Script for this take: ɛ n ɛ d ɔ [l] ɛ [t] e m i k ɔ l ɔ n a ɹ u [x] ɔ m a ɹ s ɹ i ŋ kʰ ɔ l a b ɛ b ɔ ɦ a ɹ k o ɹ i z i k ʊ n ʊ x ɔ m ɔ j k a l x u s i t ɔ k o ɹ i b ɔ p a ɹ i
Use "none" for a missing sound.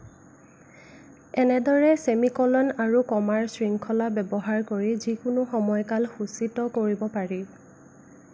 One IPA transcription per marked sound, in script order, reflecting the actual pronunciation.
ɹ, s, k

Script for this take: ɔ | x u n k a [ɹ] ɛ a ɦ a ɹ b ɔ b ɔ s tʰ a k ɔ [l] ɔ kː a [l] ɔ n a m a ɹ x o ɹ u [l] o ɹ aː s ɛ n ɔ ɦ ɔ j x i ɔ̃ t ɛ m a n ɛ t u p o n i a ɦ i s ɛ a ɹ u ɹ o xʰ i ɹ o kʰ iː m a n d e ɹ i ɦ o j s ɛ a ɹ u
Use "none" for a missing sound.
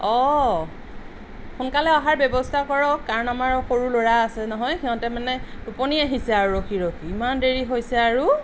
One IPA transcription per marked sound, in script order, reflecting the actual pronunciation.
l, ɹ, ɹ, l

